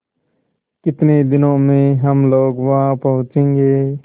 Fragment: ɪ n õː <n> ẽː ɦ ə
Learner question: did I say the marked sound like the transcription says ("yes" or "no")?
no